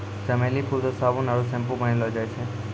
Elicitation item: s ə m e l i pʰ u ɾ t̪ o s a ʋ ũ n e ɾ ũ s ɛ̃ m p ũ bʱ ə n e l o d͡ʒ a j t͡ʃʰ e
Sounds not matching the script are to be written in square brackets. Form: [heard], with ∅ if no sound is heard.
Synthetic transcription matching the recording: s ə m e l i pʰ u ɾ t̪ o s a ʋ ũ n [a] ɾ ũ s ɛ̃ m p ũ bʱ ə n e l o d͡ʒ a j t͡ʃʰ e